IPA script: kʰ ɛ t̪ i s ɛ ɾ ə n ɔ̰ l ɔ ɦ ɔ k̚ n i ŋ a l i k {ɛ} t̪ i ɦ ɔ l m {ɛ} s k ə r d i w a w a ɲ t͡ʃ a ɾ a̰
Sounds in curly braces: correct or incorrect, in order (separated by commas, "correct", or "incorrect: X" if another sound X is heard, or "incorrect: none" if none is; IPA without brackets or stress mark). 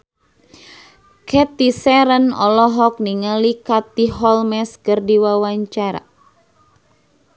incorrect: a, correct